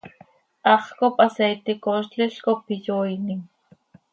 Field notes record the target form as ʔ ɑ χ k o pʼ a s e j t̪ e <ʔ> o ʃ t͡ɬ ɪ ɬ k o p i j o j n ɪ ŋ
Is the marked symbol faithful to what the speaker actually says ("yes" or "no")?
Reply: no